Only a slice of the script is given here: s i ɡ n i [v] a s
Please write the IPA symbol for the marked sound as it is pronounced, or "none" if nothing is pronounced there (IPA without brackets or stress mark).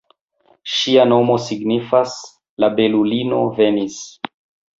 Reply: f